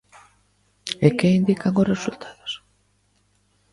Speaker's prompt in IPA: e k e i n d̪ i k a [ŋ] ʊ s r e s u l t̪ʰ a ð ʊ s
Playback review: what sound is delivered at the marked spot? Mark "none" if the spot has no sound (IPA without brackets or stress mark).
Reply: ŋ